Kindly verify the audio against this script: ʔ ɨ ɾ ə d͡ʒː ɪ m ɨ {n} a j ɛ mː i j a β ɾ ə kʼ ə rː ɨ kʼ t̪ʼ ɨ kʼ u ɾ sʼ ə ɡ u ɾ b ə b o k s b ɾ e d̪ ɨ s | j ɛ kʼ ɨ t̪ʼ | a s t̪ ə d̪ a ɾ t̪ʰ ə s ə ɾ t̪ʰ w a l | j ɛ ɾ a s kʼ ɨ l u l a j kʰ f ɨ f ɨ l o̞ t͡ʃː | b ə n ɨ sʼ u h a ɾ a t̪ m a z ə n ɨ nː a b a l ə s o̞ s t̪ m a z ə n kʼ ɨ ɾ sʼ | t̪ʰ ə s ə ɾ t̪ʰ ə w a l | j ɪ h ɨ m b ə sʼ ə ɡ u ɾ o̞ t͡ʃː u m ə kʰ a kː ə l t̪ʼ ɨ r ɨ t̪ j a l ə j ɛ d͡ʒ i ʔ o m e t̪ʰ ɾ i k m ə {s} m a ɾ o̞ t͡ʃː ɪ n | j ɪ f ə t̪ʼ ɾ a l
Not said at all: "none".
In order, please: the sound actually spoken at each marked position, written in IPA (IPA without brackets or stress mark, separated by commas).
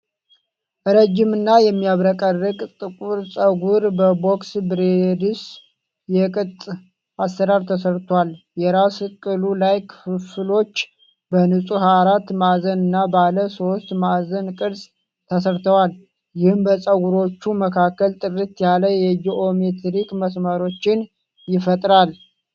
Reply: nː, s